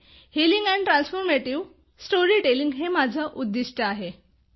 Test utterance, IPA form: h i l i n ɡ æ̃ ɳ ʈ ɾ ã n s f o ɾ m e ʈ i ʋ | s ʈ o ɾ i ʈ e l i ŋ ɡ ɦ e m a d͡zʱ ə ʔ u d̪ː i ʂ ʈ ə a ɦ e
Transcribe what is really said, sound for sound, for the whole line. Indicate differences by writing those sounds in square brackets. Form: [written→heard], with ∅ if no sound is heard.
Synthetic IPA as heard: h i l i [n→ŋ] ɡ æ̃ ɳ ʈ ɾ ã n s f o ɾ m e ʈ i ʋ | s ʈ o ɾ i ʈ e l i ŋ ɡ ɦ e m a d͡zʱ ə ʔ u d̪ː i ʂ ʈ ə a ɦ e

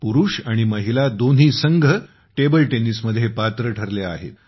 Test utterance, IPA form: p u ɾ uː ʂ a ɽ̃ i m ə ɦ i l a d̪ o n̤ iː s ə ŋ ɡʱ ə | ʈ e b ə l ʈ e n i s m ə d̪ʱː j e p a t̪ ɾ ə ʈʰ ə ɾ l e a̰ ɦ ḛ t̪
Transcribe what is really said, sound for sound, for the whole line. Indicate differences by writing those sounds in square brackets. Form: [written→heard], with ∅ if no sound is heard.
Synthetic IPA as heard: p u ɾ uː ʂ a ɽ̃ i m ə ɦ i l a d̪ o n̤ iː s ə ŋ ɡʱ ə | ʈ e b ə l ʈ e n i s m ə d̪ʱː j e p a t̪ ɾ ə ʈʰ ə ɾ l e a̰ ɦ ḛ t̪

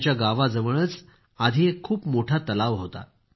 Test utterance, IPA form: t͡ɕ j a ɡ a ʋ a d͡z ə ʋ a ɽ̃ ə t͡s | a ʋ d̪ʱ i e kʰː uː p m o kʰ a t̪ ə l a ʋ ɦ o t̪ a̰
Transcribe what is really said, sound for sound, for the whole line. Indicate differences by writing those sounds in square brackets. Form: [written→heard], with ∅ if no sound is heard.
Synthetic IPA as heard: t͡ɕ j a ɡ a ʋ a d͡z ə ʋ [a→ə] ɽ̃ ə t͡s | a [ʋ→∅] d̪ʱ i e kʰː uː p m o [kʰ→ʈʰ] a t̪ ə l a ʋ ɦ o t̪ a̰

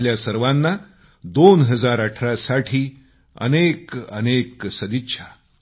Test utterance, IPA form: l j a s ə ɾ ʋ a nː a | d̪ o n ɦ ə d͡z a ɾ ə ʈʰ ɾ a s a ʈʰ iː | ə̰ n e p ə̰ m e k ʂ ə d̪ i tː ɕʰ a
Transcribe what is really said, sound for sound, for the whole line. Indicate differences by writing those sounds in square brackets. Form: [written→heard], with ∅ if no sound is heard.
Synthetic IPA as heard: l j a s ə ɾ ʋ a nː a | d̪ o n ɦ ə d͡z a ɾ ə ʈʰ ɾ a s a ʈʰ iː | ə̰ n e [p→k] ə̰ [m→n] e k [ʂ→s] ə d̪ i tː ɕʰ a

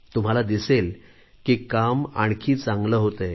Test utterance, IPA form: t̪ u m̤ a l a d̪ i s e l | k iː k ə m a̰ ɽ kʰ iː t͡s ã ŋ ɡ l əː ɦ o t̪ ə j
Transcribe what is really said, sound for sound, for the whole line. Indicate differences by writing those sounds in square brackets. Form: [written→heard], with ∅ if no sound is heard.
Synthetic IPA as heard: t̪ u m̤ a l a d̪ i s e l | k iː k [ə→a] m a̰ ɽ kʰ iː t͡s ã ŋ ɡ l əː ɦ o t̪ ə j

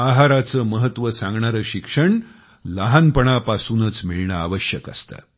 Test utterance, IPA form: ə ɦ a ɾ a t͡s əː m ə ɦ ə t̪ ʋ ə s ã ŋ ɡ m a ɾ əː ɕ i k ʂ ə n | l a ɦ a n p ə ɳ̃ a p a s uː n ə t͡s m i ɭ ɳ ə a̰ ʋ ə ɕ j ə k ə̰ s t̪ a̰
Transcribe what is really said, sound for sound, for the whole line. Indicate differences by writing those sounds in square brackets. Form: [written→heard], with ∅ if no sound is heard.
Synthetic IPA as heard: [ə→a] ɦ a ɾ a t͡s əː m ə ɦ ə t̪ ʋ ə s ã ŋ ɡ [m→ɳ] a ɾ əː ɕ i k ʂ ə [n→ɳ] | l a ɦ a n p ə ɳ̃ a p a s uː n ə t͡s m i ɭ ɳ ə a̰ ʋ ə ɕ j ə k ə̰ s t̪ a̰

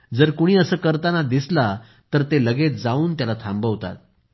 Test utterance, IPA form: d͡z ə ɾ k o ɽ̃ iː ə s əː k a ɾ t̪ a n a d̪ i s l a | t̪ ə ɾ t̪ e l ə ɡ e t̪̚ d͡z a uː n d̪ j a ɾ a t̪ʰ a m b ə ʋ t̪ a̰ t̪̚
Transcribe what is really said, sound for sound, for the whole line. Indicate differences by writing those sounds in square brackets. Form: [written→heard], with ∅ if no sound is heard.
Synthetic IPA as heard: d͡z ə ɾ k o ɽ̃ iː ə s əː k [a→ə] ɾ t̪ a n a d̪ i s l a | t̪ ə ɾ t̪ e l ə ɡ e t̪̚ d͡z a uː n [d̪→t̪] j a [ɾ→l] a t̪ʰ a m b ə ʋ t̪ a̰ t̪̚

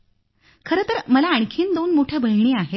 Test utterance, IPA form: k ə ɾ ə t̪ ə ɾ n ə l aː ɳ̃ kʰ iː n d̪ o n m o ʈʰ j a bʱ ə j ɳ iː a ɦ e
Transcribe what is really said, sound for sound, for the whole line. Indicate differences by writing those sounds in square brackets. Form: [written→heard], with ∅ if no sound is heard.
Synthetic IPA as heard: [k→kʰ] ə ɾ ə t̪ ə ɾ [n→m] ə l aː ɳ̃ kʰ iː n d̪ o n m o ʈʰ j a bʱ ə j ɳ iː a ɦ e

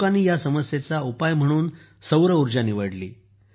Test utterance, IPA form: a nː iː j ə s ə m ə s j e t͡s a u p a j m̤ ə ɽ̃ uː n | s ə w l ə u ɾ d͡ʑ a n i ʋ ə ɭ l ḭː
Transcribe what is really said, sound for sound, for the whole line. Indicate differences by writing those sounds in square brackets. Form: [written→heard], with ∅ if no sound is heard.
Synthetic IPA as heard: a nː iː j [ə→a] s ə m ə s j e t͡s a u p a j m̤ ə ɽ̃ uː n | s ə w [l→ɾ] ə u ɾ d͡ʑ a n i ʋ ə [ɭ→ɽ] l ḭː

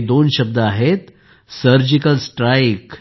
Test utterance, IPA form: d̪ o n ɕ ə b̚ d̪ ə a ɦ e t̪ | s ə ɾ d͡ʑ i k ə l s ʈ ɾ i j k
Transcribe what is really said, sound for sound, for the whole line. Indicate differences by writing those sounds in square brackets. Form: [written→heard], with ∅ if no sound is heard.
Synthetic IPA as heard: d̪ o n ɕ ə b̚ d̪ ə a ɦ e t̪ | s ə ɾ d͡ʑ i k ə l s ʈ ɾ [i→a] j k

